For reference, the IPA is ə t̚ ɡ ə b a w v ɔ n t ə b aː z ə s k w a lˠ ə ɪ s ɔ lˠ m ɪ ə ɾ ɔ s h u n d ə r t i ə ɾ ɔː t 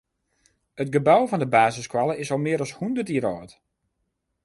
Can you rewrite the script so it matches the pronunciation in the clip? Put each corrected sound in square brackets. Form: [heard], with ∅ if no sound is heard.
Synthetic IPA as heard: ə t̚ ɡ ə b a w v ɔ n [d] ə b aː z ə s k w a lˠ ə ɪ s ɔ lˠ m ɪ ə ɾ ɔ s h u n d ə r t i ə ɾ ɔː t